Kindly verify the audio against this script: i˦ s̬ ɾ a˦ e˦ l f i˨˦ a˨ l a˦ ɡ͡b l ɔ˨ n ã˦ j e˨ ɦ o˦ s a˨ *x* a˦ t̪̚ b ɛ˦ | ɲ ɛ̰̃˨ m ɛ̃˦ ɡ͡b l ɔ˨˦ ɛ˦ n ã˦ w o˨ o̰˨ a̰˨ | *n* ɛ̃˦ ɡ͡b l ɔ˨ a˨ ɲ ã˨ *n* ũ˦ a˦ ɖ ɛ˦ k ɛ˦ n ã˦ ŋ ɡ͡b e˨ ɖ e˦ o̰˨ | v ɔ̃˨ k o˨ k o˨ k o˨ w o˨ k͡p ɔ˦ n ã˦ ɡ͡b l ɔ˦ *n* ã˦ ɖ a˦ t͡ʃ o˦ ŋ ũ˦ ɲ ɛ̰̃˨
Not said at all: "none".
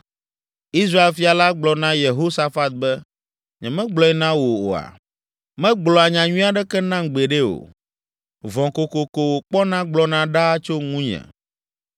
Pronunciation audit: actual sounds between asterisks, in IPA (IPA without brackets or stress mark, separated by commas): f, m, ɲ, n